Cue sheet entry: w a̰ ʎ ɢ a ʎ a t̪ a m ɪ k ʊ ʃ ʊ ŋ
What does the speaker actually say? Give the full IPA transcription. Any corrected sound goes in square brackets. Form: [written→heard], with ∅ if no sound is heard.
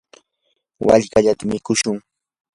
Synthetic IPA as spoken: w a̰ ʎ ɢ a ʎ a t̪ a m ɪ k ʊ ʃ ʊ ŋ